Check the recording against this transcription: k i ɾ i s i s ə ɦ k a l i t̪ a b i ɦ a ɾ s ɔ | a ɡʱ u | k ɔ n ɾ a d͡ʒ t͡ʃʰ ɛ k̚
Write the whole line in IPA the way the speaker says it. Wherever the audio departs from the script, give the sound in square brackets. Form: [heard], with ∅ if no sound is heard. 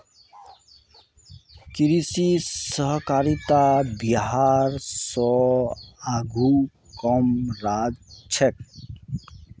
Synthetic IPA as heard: k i ɾ i s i s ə ɦ k a [ɾ] i t̪ a b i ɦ a ɾ s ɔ | a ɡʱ u | k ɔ [m] ɾ a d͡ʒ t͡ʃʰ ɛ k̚